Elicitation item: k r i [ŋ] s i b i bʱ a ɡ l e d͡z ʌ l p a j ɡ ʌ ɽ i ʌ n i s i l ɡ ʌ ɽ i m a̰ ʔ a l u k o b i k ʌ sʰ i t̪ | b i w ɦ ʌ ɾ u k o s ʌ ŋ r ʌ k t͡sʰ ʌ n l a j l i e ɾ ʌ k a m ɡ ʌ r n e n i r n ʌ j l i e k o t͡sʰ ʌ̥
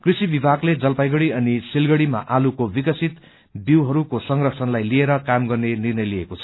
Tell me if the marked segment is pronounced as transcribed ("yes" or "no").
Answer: no